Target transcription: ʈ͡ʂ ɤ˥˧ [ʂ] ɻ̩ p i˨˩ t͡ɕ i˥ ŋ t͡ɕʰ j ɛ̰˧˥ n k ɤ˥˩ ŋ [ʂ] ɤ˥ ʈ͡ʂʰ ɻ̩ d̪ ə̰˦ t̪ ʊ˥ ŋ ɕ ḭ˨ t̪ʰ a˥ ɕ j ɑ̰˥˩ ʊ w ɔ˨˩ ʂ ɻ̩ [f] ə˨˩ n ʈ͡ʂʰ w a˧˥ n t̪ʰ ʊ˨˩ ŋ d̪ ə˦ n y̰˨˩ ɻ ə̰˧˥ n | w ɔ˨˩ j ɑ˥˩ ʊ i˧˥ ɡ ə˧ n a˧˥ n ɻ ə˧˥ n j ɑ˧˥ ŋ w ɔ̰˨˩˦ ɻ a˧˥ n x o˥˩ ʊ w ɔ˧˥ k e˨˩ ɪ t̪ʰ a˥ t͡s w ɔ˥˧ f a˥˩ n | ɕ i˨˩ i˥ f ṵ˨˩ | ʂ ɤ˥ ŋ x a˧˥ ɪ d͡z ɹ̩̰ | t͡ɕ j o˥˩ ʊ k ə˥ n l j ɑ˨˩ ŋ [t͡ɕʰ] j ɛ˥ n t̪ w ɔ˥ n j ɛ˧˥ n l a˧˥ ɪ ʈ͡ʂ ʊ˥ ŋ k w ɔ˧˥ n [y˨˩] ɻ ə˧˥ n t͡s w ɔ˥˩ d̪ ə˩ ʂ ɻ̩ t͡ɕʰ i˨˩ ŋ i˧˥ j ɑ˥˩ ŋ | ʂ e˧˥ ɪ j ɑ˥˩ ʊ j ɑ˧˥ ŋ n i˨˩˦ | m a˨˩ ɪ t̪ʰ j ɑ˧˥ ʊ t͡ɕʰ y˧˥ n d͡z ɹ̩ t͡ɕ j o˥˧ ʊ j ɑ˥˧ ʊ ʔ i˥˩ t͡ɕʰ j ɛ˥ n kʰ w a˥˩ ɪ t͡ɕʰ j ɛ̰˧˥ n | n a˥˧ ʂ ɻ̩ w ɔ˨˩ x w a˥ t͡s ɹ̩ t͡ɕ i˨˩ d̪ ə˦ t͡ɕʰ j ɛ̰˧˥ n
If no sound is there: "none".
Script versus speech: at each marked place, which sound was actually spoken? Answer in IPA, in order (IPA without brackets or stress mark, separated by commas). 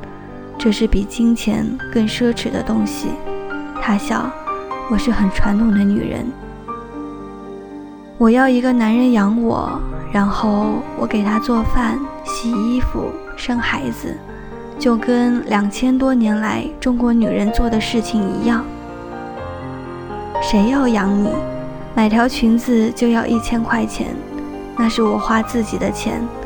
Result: ʂ, ʂ, x, t͡ɕʰ, y˨˩